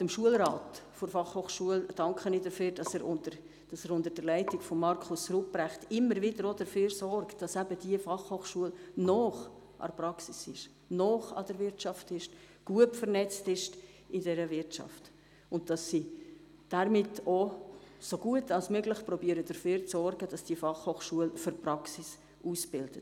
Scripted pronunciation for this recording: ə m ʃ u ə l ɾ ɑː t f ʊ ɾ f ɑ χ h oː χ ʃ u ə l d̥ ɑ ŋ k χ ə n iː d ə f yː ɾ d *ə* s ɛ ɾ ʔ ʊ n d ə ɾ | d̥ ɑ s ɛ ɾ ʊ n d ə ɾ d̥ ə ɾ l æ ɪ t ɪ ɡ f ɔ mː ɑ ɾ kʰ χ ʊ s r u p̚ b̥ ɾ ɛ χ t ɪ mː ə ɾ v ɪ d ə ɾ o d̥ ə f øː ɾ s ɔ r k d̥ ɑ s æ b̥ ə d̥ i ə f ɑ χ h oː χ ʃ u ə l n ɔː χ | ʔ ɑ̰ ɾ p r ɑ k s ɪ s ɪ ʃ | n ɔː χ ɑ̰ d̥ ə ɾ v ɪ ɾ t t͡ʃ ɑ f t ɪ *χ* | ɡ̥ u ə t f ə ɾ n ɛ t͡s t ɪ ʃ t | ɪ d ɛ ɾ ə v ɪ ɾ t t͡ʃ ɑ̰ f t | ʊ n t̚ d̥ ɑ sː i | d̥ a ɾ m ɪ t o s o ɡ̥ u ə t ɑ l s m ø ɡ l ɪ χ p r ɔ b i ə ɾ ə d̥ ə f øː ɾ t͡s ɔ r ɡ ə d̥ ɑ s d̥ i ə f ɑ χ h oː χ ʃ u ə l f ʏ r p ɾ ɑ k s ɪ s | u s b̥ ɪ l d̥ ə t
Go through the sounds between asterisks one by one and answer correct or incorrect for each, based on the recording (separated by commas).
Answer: incorrect, incorrect